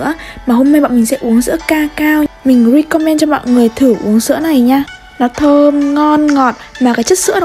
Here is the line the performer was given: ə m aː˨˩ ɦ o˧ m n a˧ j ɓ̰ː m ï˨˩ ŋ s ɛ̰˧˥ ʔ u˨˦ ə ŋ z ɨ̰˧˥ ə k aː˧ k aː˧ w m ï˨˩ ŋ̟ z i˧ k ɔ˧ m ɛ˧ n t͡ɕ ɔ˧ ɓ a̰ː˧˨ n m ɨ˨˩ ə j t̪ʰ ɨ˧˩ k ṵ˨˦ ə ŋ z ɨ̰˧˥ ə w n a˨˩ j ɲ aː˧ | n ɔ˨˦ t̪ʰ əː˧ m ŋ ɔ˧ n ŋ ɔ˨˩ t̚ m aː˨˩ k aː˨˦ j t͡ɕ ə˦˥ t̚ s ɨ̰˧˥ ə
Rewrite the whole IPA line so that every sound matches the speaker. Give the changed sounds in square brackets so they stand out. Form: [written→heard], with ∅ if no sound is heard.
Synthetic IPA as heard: ə m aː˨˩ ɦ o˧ m n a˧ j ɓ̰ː m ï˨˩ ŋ s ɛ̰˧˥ ʔ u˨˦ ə ŋ z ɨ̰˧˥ ə k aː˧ k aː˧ w m ï˨˩ ŋ̟ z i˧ k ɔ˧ m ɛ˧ n t͡ɕ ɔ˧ ɓ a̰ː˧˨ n [m→ŋ] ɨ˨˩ ə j t̪ʰ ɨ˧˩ [k→ʔ] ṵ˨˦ ə ŋ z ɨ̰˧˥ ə [w→∅] n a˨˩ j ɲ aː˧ | n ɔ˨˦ t̪ʰ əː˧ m ŋ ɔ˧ n ŋ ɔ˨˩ t̚ m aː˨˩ k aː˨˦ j t͡ɕ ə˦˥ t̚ s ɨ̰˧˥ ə

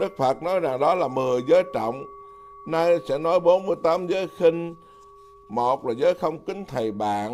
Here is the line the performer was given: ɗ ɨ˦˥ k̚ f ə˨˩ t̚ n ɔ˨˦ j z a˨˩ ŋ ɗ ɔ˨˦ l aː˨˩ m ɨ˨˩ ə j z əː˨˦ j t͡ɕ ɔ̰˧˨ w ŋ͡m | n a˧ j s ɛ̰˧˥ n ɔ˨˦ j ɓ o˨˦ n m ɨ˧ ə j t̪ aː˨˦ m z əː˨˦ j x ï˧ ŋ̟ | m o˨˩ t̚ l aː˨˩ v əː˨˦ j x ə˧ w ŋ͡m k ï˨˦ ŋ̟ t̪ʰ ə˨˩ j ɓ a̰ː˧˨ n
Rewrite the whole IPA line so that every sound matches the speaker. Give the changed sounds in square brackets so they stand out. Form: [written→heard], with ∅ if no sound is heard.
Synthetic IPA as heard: ɗ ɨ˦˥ k̚ f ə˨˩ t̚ n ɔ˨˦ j z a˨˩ ŋ ɗ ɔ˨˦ l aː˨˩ m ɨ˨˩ ə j z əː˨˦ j t͡ɕ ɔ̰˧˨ w ŋ͡m | n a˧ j s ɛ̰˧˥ n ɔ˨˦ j ɓ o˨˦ n m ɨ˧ ə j t̪ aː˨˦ m z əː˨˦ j x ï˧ ŋ̟ | m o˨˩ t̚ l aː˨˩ [v→z] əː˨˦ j x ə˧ w ŋ͡m k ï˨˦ ŋ̟ t̪ʰ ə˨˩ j ɓ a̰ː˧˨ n

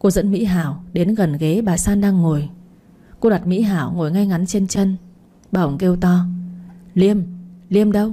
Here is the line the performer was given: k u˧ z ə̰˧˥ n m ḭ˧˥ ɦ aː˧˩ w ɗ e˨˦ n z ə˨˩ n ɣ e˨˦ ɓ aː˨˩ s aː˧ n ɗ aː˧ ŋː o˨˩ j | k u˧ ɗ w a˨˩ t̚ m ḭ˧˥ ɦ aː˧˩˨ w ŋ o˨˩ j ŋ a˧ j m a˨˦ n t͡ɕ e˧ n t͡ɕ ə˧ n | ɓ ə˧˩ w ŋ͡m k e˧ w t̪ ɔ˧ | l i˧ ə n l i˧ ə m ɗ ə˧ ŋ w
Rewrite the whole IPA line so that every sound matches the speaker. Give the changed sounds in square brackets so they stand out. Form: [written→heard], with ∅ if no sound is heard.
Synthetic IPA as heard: k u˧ z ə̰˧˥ n m ḭ˧˥ ɦ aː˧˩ w ɗ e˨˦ n [z→ɣ] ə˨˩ n ɣ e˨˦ ɓ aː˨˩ s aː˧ n ɗ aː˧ ŋː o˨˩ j | k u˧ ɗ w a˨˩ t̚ m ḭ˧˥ ɦ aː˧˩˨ w ŋ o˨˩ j ŋ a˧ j [m→ŋ] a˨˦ n t͡ɕ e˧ n t͡ɕ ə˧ n | ɓ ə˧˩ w ŋ͡m k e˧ w t̪ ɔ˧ | l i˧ ə [n→m] l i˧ ə m ɗ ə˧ [ŋ→∅] w

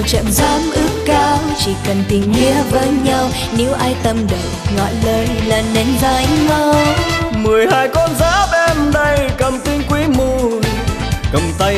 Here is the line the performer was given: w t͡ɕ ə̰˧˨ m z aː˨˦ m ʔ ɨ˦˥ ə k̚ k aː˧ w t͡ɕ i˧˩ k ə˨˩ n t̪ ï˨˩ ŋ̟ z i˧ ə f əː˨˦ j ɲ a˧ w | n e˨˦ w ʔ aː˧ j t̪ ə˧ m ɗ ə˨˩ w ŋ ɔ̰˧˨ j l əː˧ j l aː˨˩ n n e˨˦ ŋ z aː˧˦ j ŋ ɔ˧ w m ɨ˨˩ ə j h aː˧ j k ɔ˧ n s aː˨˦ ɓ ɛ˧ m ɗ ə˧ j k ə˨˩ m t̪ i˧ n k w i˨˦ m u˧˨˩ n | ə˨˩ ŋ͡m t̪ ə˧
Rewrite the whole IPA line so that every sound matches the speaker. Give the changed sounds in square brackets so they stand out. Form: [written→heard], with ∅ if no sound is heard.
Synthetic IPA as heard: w t͡ɕ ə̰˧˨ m z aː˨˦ m ʔ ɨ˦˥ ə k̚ k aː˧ w t͡ɕ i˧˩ k ə˨˩ n t̪ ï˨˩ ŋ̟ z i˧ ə [f→v] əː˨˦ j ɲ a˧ w | n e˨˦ w ʔ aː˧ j t̪ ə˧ m ɗ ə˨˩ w ŋ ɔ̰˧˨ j l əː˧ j l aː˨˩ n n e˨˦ [ŋ→n] z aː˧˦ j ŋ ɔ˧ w m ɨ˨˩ ə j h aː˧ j k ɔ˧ n [s→z] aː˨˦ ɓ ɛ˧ m ɗ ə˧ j k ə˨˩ m t̪ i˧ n k w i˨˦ m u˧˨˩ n | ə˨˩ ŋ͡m t̪ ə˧

